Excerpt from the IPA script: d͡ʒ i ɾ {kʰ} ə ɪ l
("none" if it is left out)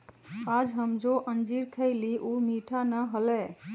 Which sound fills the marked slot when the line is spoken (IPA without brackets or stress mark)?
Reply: kʰ